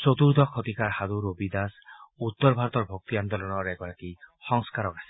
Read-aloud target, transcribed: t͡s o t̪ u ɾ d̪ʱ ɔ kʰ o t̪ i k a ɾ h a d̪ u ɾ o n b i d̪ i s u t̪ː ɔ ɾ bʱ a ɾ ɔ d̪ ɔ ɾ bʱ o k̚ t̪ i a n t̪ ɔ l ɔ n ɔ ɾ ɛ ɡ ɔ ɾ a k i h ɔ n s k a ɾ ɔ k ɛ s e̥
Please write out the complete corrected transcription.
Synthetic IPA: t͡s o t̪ u ɾ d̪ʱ ɔ kʰ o t̪ i k a ɾ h a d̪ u ɾ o b i d̪ a s u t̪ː ɔ ɾ bʱ a ɾ ɔ t̪ ɔ ɾ bʱ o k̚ t̪ i a n d̪ ɔ l ɔ n ɔ ɾ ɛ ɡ ɔ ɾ a k i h ɔ ŋ s k a ɾ ɔ k a s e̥